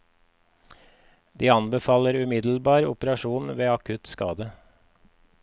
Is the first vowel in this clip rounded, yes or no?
no